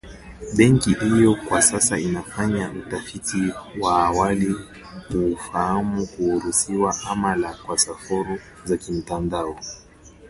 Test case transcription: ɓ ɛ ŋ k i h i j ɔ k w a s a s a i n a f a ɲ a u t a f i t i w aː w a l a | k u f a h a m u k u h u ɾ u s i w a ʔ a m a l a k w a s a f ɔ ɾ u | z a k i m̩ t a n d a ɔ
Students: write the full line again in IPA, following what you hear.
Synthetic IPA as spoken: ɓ ɛ ŋ k i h i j ɔ k w a s a s a i n a f a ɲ a u t a f i t i w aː w a l i | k u f a h a m u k u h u ɾ u s i w a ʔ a m a l a k w a s a f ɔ ɾ u | z a k i m̩ t a n d a ɔ